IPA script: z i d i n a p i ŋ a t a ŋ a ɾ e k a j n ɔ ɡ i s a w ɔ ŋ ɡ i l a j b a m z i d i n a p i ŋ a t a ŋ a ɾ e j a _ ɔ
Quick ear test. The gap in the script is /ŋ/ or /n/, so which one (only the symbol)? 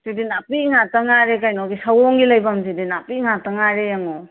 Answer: ŋ